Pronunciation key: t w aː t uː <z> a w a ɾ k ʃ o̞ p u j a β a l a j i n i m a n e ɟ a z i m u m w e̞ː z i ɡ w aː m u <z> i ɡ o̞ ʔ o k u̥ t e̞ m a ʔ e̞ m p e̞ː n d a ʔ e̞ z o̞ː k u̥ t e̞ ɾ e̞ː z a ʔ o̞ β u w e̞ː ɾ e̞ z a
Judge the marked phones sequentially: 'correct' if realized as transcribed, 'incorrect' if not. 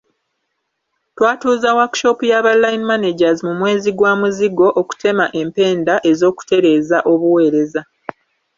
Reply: correct, correct

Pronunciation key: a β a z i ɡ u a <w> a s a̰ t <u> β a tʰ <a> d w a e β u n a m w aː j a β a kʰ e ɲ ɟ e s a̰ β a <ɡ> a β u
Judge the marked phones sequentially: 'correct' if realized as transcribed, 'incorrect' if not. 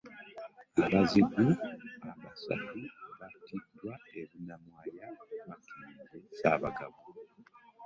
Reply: incorrect, correct, incorrect, correct

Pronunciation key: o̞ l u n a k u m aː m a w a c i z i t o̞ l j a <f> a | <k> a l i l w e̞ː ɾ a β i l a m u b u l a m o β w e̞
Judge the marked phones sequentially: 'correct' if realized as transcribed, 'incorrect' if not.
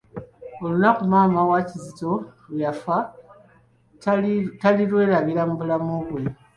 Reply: correct, incorrect

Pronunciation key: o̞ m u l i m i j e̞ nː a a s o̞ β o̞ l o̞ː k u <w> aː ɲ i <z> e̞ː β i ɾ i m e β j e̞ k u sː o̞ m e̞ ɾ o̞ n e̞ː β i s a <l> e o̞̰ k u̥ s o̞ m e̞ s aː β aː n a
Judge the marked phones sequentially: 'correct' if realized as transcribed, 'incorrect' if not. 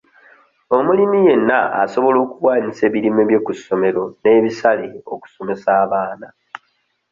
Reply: correct, incorrect, correct

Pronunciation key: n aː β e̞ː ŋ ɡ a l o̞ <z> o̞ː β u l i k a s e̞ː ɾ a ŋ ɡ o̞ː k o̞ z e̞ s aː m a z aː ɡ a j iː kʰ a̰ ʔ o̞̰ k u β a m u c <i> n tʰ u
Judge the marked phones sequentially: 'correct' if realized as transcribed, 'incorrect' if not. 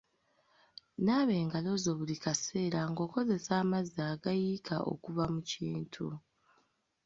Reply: correct, incorrect

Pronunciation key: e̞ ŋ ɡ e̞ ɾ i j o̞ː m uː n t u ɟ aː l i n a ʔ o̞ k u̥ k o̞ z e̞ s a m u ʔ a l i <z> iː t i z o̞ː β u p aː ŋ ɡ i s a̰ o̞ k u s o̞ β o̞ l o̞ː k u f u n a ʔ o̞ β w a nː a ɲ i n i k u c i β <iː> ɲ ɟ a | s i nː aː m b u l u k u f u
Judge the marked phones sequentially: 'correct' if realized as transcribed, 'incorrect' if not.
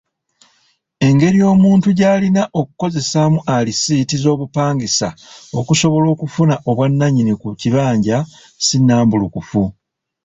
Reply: incorrect, incorrect

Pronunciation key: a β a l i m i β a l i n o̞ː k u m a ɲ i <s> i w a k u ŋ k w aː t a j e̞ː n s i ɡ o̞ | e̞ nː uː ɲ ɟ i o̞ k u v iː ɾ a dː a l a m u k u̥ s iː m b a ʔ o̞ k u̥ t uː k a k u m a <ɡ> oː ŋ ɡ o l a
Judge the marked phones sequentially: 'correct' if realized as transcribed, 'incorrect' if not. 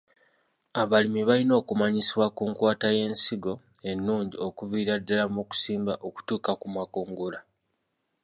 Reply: correct, incorrect

